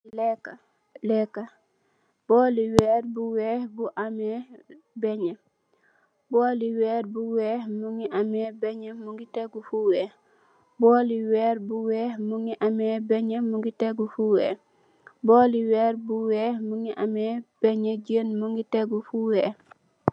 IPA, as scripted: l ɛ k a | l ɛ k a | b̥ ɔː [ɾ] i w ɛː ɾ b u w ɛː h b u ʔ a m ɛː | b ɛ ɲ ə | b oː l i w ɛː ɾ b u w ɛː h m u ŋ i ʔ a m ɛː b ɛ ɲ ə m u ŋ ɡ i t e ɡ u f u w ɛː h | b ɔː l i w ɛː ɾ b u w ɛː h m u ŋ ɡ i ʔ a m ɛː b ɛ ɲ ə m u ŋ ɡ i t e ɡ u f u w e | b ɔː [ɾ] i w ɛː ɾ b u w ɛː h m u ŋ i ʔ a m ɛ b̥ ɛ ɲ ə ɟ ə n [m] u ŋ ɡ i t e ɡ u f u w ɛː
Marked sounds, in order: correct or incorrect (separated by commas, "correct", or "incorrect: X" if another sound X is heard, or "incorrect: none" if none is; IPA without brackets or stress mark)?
incorrect: l, incorrect: l, correct